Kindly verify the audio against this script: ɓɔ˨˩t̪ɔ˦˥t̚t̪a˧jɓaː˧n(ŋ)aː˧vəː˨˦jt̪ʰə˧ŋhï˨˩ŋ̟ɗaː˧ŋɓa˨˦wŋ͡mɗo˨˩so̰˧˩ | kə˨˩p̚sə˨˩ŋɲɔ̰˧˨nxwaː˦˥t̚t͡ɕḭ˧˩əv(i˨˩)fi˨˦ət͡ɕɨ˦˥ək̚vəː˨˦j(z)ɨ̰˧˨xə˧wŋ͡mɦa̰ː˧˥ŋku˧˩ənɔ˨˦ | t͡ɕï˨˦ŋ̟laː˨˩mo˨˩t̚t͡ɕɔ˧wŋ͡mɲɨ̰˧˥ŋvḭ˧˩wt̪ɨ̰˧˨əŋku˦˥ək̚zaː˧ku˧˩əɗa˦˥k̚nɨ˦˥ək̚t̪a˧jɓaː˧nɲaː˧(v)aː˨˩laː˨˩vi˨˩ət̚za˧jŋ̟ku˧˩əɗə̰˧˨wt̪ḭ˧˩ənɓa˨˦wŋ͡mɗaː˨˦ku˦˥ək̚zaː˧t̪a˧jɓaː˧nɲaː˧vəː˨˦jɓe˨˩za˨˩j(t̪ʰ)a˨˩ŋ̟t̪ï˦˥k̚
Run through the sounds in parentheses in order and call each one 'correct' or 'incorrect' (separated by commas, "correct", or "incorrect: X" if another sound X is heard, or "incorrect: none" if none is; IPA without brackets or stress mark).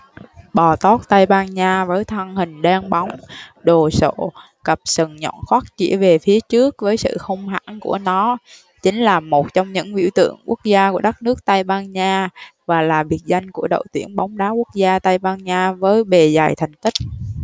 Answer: incorrect: ɲ, incorrect: e˨˩, incorrect: s, correct, correct